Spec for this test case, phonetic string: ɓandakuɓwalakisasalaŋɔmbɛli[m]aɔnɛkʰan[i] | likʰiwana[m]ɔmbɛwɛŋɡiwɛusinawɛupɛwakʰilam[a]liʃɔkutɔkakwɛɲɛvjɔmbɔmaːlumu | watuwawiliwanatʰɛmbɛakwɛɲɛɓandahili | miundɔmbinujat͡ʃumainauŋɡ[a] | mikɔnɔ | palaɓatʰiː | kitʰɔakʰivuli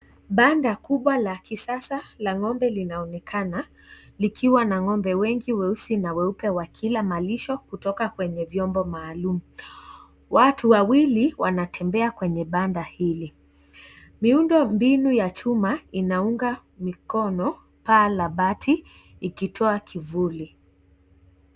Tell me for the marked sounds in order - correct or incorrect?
incorrect, incorrect, incorrect, correct, correct

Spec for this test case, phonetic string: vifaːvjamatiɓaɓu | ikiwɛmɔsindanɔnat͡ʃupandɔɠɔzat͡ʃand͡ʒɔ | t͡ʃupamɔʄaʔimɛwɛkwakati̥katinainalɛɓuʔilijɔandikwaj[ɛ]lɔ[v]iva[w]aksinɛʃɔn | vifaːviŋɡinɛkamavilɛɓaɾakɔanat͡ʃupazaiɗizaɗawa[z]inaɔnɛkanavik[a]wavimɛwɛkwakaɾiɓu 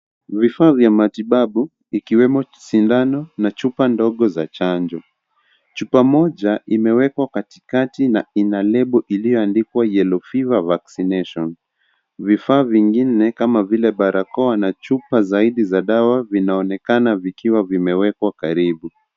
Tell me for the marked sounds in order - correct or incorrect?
correct, incorrect, incorrect, incorrect, incorrect

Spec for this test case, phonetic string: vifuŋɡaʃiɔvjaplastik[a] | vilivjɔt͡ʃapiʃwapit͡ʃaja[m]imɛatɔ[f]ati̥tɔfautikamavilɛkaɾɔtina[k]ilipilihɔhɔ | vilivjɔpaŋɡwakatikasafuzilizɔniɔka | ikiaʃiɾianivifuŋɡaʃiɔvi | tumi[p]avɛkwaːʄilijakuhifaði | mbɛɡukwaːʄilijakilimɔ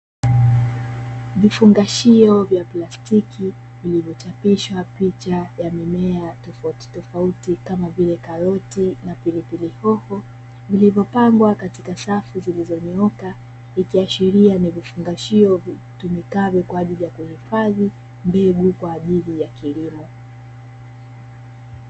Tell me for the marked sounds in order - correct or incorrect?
incorrect, correct, correct, incorrect, incorrect

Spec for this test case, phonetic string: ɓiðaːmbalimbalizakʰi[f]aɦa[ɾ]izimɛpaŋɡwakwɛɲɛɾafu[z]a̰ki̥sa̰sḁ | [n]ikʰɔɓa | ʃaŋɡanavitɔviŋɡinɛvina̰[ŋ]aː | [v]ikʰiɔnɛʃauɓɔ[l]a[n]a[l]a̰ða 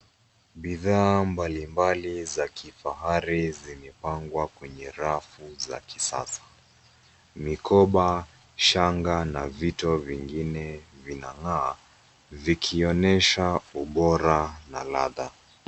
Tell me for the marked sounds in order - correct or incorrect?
correct, correct, correct, incorrect, correct, correct, incorrect, correct, correct

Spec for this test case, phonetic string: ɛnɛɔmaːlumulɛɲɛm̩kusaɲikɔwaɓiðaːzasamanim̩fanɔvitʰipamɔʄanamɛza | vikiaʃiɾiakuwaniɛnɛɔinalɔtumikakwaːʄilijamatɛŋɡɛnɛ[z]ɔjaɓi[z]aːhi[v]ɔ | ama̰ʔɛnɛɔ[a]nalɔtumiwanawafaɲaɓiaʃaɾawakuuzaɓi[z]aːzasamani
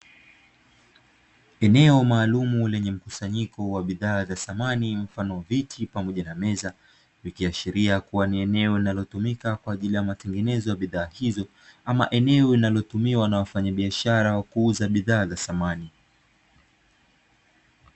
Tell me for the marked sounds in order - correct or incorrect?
correct, incorrect, incorrect, incorrect, incorrect

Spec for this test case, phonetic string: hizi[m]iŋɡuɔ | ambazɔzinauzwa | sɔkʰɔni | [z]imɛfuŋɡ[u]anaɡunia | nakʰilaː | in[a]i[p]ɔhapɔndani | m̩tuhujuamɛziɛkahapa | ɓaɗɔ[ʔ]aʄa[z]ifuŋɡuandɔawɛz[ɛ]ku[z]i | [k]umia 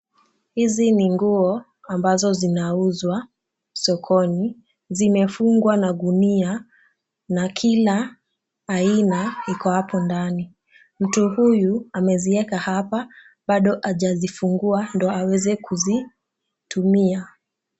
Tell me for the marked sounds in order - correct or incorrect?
incorrect, correct, incorrect, correct, incorrect, correct, correct, correct, correct, incorrect

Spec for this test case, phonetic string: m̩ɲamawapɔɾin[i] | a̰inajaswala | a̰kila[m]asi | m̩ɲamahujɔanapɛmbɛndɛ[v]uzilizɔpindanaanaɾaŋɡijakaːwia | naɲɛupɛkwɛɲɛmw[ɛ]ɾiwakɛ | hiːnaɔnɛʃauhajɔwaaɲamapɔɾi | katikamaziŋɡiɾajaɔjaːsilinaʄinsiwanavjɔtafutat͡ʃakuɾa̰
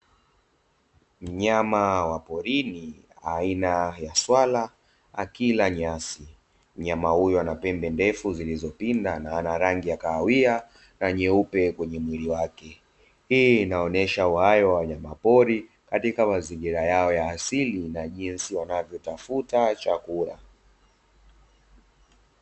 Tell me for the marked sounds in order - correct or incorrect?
correct, incorrect, incorrect, incorrect

